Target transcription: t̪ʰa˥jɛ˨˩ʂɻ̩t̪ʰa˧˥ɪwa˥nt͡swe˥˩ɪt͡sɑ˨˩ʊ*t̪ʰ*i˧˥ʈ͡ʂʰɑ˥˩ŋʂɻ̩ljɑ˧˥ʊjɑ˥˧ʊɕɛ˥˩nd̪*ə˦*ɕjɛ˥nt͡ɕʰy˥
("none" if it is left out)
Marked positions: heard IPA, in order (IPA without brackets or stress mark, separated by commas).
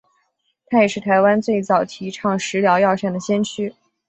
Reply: t̪ʰ, ə˩